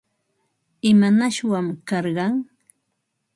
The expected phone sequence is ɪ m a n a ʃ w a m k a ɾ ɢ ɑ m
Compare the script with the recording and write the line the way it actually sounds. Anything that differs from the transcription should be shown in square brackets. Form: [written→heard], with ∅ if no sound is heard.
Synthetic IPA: ɪ m a n a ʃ w a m k [a→ɑ] ɾ ɢ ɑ [m→ŋ]